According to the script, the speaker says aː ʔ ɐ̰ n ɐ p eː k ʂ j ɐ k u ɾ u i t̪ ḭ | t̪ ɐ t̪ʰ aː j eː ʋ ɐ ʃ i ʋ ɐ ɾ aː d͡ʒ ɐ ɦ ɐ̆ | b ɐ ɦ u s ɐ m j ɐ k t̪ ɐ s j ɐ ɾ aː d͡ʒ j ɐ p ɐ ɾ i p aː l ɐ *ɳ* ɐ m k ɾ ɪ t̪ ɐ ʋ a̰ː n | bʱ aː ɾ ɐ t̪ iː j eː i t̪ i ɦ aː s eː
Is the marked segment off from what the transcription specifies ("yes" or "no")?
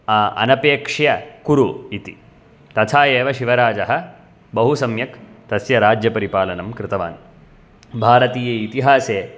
yes